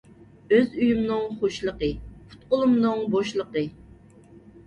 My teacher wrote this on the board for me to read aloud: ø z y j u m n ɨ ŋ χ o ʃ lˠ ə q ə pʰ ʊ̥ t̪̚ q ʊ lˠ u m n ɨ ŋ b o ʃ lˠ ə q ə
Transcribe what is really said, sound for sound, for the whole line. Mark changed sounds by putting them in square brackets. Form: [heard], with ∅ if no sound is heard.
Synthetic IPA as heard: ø z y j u m n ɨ ŋ χ o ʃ lˠ ə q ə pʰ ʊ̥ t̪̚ q ʊ lˠ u m n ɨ ŋ b o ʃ lˠ ə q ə